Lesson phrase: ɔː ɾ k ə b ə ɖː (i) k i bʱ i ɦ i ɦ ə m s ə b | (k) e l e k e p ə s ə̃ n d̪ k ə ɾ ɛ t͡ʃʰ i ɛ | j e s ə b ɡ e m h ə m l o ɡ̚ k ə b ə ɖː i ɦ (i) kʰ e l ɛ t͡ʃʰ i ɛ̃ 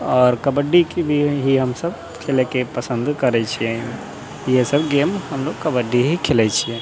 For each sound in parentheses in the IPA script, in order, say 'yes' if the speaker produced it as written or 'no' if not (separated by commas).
yes, no, yes